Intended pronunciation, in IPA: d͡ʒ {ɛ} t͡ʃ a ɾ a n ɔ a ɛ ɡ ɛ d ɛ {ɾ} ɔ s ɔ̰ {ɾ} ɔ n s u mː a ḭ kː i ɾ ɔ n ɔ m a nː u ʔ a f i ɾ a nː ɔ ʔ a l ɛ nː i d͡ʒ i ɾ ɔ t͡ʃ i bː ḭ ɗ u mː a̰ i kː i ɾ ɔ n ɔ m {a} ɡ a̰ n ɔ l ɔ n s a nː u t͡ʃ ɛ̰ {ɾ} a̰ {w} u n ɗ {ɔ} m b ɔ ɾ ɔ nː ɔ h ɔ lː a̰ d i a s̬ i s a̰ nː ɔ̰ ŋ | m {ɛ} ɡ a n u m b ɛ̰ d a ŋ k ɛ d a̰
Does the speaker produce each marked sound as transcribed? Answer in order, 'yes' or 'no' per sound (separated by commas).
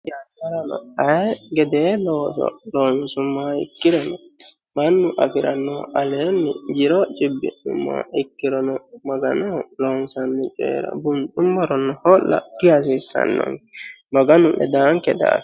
no, no, no, yes, yes, no, no, no